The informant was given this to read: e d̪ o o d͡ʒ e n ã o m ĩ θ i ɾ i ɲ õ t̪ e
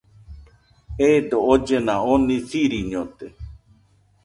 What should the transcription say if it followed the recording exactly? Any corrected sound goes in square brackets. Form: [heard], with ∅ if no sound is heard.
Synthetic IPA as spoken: e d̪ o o d͡ʒ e n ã o [n] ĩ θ i ɾ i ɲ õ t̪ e